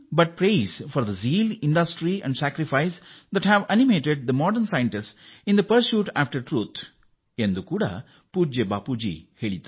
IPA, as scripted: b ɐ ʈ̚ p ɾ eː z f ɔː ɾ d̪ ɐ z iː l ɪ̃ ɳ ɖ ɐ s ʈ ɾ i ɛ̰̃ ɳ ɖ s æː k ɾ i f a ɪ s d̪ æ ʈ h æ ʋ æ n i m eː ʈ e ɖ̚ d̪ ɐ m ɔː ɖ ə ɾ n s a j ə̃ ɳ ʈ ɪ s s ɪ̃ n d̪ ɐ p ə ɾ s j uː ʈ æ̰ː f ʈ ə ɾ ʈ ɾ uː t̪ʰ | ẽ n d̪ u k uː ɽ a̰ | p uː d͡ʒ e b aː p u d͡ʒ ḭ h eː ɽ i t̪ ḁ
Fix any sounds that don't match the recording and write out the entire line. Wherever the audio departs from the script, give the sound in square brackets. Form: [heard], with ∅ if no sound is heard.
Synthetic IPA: b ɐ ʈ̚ p ɾ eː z f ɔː ɾ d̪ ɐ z iː l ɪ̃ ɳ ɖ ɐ s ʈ ɾ i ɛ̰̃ ɳ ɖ s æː k ɾ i f a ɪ s d̪ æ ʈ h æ ʋ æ n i m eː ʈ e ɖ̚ d̪ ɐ m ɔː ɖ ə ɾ n s a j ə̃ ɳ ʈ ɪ s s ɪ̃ n d̪ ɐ p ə ɾ s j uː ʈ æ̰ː f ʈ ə ɾ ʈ ɾ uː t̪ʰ | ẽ n d̪ u k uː ɽ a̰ | p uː d͡ʒ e b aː p u d͡ʒ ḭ h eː [ɭ] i t̪ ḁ